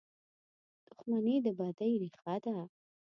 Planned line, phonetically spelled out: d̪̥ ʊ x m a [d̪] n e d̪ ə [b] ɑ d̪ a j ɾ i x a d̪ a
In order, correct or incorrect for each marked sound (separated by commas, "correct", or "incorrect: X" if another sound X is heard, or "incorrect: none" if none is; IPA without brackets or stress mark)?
incorrect: none, correct